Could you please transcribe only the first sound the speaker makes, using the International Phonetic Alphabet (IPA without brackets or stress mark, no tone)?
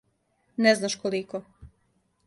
n